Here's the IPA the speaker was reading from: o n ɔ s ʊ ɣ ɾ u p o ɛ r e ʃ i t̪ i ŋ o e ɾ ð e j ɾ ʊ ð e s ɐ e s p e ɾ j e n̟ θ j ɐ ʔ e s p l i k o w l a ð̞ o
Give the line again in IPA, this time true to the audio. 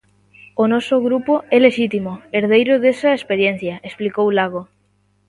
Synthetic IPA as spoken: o n ɔ s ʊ ɣ ɾ u p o ɛ l e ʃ i t̪ i m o e ɾ ð e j ɾ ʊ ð e s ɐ e s p e ɾ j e n̟ θ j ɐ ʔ e s p l i k o w l a ɣ̞ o